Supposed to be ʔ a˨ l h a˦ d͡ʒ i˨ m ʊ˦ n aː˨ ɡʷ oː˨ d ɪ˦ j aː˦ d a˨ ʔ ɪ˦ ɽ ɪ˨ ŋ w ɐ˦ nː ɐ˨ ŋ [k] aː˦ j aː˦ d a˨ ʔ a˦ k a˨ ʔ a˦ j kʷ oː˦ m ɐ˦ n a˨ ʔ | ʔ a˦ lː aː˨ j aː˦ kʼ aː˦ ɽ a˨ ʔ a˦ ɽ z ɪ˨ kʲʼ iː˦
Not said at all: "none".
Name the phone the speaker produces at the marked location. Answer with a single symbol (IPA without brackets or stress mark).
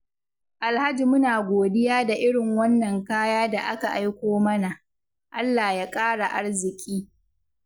k